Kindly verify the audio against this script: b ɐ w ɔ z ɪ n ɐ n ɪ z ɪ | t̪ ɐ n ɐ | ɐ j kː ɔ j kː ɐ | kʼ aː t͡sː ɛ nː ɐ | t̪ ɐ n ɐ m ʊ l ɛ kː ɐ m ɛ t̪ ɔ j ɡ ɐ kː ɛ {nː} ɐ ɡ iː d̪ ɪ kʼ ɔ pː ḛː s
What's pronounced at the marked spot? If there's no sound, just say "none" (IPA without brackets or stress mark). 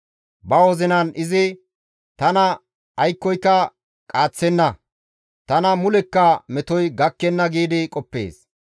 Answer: nː